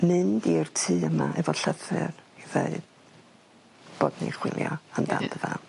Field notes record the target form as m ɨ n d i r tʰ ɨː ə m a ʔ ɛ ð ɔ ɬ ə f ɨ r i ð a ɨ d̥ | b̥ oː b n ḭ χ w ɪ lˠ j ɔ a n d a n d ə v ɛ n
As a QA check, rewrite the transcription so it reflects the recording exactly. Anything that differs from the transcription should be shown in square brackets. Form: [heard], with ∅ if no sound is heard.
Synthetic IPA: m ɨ n d i r tʰ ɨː ə m a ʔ ɛ [v] ɔ ɬ ə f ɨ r i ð [e] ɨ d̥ | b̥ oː [d] n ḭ χ w ɪ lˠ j ɔ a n d a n d ə v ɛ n